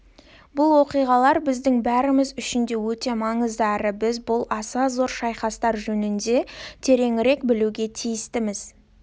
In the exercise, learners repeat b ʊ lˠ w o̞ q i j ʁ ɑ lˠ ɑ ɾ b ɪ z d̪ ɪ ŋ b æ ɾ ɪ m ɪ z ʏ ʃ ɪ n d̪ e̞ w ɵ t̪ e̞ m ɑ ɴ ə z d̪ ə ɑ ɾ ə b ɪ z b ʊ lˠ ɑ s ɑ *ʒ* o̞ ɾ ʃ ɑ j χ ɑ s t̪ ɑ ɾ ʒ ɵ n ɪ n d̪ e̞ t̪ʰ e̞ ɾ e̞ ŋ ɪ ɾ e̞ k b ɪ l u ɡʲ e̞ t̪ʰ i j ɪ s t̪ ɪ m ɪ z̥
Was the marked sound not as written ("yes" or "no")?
yes